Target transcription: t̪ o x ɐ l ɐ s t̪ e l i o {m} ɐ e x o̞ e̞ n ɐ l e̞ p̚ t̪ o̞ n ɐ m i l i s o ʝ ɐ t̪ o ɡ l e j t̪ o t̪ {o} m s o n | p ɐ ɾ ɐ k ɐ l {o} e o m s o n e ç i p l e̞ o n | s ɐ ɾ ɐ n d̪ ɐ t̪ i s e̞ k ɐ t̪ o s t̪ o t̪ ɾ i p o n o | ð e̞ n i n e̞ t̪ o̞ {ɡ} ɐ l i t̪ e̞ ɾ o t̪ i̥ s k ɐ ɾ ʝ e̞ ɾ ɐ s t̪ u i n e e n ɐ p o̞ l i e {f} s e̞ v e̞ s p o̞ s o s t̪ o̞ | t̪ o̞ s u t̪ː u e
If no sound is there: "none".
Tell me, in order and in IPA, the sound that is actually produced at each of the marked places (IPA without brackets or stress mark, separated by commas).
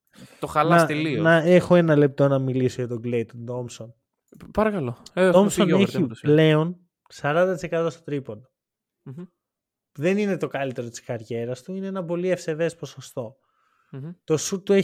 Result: n, o, o, k, f